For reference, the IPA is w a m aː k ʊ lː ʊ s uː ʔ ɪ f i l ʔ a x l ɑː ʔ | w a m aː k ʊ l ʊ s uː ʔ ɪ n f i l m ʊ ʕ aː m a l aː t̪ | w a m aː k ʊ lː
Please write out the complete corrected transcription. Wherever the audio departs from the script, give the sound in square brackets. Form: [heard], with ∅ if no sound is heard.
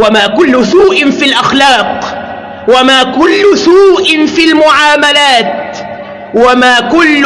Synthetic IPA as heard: w a m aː k ʊ lː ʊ s uː ʔ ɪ f i l ʔ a x l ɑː [q] | w a m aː k ʊ [lː] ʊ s uː ʔ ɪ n f i l m ʊ ʕ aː m a l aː t̪ | w a m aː k ʊ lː